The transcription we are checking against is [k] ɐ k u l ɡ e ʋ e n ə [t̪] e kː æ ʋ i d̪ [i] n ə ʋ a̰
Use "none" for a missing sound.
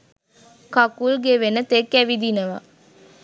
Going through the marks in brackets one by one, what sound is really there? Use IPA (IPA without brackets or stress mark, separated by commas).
k, t̪, i